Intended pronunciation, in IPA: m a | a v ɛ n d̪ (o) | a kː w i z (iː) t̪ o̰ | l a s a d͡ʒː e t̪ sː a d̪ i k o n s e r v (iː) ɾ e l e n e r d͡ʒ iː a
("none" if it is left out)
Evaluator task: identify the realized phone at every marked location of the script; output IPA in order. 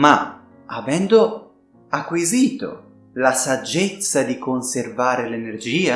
o, iː, aː

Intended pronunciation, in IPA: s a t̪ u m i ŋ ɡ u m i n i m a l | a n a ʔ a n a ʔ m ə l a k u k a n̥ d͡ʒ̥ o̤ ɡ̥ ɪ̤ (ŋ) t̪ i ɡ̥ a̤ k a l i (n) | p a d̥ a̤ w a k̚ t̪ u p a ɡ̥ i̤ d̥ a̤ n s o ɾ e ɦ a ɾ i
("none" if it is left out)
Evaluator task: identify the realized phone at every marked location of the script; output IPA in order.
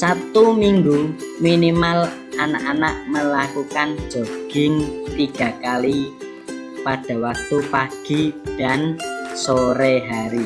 ŋ, none

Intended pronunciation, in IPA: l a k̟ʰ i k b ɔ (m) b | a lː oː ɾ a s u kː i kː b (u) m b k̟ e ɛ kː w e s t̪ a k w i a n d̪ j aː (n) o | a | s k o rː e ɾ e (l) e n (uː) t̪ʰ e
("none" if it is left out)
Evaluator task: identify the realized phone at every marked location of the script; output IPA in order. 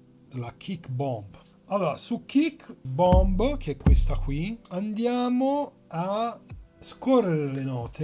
m, ɔ, m, l, ɔː

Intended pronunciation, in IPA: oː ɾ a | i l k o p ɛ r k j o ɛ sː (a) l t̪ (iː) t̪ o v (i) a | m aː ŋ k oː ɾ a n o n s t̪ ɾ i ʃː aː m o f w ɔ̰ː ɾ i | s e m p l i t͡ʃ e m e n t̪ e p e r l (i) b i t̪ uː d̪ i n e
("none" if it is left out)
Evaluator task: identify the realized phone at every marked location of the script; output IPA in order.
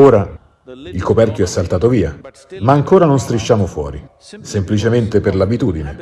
a, aː, iː, a

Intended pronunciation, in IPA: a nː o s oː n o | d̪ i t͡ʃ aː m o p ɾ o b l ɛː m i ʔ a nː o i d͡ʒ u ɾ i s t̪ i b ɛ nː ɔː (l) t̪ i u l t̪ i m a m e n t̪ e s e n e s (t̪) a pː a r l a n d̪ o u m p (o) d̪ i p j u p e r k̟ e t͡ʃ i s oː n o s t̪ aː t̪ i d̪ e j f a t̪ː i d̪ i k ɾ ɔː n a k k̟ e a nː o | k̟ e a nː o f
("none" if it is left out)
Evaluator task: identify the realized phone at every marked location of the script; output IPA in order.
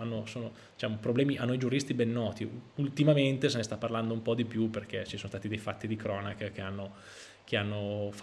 none, t̪, ɔ

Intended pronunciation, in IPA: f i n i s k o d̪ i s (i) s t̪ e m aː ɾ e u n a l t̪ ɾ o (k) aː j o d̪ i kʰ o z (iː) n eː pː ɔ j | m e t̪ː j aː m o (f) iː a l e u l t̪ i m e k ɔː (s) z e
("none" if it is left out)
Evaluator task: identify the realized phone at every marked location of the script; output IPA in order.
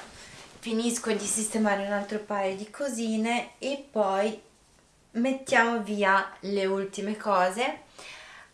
i, p, iː, v, none

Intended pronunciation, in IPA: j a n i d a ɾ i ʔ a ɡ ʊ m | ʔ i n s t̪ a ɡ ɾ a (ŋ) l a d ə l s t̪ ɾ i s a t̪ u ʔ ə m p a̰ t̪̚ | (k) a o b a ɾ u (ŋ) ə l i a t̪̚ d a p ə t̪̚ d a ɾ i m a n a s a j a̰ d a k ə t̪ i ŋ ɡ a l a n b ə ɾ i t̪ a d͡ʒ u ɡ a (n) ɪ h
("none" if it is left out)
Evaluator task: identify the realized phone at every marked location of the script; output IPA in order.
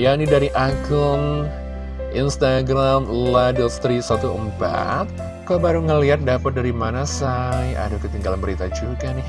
m, k, ŋ, n

